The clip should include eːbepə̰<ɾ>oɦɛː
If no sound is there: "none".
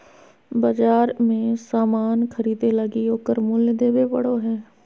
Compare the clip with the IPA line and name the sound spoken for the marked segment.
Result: ɽ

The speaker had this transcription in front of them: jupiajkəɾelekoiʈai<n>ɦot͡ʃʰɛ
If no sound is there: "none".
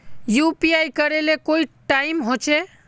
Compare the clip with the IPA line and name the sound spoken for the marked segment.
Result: m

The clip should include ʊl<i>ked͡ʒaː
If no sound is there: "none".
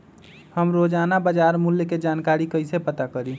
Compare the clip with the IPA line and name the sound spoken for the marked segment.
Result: j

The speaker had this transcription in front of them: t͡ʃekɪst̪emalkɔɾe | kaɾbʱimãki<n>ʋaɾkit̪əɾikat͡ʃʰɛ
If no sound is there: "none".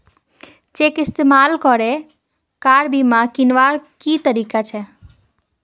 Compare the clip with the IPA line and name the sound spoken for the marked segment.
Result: n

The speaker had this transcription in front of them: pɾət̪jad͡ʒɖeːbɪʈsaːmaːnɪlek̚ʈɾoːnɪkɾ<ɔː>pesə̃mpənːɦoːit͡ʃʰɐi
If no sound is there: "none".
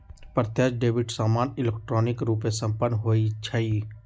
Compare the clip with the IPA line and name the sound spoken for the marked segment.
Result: uː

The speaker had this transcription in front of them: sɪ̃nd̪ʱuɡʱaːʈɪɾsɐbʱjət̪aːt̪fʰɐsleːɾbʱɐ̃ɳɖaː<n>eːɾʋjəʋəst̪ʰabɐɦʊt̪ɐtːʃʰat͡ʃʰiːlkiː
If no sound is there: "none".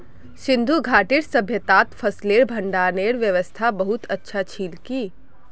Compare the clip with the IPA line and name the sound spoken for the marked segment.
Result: n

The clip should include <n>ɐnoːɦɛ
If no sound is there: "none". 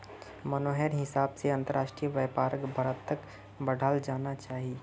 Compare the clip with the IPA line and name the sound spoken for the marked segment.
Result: m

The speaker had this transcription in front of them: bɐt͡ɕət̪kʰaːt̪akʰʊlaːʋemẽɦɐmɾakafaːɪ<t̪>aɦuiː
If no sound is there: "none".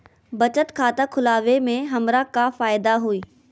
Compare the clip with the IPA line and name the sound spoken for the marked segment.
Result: d̪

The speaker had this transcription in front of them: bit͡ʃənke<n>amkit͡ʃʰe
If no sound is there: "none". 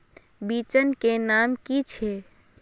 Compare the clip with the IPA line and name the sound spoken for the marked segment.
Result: n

